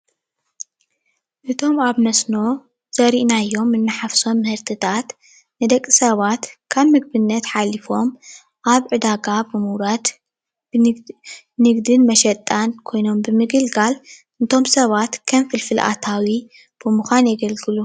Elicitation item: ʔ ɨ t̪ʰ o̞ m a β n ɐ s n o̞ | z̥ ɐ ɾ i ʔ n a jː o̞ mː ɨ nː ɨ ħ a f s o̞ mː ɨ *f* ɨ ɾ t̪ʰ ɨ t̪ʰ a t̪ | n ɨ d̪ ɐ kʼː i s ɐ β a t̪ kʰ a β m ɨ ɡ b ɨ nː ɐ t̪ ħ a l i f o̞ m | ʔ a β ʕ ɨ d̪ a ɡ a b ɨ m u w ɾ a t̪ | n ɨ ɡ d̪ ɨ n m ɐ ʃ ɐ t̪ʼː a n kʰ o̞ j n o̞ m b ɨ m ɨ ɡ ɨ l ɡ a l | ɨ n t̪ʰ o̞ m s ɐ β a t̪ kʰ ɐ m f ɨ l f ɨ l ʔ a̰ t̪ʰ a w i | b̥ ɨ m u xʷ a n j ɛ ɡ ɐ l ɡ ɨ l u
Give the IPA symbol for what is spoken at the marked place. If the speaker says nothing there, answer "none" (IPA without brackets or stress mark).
h